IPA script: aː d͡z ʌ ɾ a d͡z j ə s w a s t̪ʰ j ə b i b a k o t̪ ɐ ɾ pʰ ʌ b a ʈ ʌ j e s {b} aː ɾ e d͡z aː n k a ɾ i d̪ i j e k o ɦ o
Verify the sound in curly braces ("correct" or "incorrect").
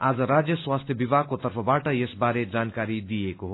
correct